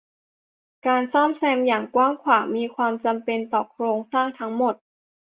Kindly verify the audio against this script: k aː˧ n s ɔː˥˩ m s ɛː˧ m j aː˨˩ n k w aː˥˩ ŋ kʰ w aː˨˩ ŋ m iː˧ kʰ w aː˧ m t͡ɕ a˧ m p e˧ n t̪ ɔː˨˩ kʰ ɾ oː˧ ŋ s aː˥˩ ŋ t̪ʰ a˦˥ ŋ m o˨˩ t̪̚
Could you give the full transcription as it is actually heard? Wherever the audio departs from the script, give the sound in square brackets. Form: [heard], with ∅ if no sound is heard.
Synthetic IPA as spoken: k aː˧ n s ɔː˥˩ m s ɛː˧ m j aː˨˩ [ŋ] k w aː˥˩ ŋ kʰ w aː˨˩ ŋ m iː˧ kʰ w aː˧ m t͡ɕ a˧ m p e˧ n t̪ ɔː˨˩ kʰ ɾ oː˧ ŋ s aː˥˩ ŋ t̪ʰ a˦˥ ŋ m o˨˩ t̪̚